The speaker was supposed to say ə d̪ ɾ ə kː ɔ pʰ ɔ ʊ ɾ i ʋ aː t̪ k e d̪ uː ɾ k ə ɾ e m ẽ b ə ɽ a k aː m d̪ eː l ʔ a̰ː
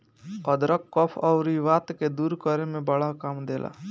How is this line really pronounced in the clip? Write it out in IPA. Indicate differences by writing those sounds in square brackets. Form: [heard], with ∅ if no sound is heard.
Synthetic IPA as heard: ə d̪ ɾ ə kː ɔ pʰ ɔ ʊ ɾ i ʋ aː t̪ k e d̪ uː ɾ k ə ɾ e m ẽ b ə ɽ a k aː m d̪ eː l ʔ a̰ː